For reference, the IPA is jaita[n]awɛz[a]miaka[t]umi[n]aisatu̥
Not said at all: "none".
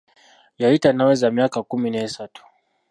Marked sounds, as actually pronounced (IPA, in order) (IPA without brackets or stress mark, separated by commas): n, a, k, n